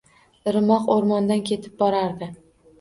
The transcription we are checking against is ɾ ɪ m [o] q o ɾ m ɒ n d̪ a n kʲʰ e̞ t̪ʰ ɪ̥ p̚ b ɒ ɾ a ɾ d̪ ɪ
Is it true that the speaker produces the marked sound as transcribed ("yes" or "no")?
no